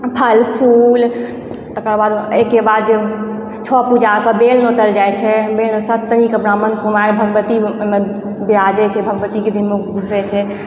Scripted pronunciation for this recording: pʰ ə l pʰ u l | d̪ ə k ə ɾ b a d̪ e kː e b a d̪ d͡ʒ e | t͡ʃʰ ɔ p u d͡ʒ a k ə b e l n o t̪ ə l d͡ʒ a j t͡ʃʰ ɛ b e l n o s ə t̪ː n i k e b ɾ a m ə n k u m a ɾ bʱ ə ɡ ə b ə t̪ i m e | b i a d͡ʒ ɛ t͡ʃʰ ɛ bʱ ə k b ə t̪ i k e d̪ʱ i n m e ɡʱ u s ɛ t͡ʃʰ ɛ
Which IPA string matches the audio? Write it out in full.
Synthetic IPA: pʰ ə l pʰ u l | t̪ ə k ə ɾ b a d̪ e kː e b a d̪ d͡ʒ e | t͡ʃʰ ɔ p u d͡ʒ a k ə b e l n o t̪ ə l d͡ʒ a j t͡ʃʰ ɛ b e l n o s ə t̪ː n i k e b ɾ a m ə n k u m a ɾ bʱ ə ɡ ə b ə t̪ i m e | b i a d͡ʒ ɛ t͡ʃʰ ɛ bʱ ə ɡ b ə t̪ i k e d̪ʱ i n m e ɡʱ u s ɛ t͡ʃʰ ɛ